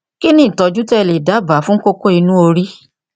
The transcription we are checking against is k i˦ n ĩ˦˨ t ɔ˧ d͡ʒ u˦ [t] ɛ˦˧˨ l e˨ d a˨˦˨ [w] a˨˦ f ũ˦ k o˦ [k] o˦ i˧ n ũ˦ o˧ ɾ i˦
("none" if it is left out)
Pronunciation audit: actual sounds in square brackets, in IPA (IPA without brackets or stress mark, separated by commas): t, b, k